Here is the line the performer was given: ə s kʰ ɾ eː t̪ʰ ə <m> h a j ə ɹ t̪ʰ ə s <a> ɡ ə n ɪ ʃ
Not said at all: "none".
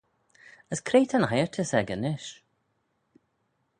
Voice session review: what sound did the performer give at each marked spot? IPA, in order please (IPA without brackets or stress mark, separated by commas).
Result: n, ɛ